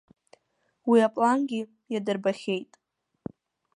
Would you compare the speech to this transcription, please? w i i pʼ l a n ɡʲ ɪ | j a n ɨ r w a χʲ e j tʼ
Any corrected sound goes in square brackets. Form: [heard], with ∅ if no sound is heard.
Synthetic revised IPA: w i [a] pʼ l a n ɡʲ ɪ | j a [d] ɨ r [b] a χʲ e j tʼ